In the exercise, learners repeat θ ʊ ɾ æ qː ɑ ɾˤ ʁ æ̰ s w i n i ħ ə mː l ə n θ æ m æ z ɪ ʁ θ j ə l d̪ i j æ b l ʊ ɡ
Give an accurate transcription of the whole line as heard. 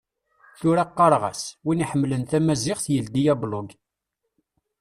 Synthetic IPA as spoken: θ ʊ ɾ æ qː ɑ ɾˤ ʁ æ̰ s w i n i ħ ə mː l ə n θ æ m æ z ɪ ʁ θ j ə l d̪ i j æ b l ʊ ɡ